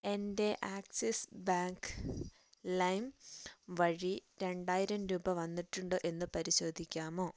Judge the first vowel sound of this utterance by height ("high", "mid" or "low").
mid